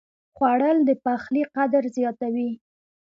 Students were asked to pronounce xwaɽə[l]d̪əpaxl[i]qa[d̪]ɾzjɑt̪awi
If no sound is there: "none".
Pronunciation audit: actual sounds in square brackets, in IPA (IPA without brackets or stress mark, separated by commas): l, i, d̪